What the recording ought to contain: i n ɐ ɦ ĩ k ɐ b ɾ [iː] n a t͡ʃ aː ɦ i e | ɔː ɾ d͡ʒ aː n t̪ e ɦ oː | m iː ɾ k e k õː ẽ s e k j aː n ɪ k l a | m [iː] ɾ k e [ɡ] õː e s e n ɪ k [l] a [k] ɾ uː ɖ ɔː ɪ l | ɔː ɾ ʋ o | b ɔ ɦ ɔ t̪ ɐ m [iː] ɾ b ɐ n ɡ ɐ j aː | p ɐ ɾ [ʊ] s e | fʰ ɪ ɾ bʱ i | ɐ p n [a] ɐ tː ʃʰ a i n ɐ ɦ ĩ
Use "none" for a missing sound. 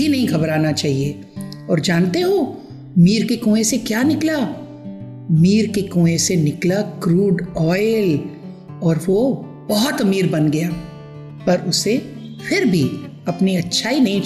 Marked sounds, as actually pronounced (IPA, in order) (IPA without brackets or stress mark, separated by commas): aː, iː, k, l, k, iː, ʊ, i